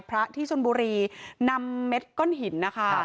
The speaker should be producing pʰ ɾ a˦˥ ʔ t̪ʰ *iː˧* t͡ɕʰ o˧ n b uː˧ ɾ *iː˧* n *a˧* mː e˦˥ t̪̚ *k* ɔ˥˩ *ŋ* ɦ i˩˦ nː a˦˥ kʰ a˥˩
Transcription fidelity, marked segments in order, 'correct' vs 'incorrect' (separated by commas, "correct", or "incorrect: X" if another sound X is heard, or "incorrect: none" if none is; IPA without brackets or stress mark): incorrect: iː˥˩, correct, correct, correct, incorrect: n